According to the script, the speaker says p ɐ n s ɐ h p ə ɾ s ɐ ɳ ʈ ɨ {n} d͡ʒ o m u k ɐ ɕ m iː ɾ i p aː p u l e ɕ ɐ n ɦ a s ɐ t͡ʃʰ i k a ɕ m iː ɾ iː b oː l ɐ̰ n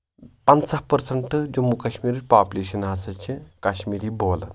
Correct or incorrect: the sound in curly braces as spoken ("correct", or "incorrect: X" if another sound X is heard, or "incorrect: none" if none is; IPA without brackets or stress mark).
incorrect: none